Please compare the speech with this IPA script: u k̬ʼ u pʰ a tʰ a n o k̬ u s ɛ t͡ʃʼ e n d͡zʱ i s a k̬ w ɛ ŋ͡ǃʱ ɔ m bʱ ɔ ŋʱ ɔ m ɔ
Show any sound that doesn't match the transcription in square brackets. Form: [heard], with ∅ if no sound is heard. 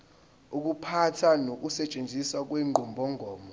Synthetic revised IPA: u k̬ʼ u pʰ a tʰ a n o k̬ u s ɛ t͡ʃʼ e n d͡zʱ i s a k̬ w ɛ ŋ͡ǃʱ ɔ m bʱ ɔ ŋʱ [ɔː] m ɔ